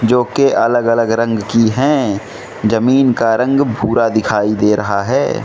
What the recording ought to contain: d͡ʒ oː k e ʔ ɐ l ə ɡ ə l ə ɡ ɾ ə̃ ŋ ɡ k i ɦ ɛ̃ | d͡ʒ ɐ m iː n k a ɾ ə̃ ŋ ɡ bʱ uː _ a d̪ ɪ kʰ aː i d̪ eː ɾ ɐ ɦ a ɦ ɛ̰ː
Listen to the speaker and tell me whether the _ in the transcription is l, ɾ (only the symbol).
ɾ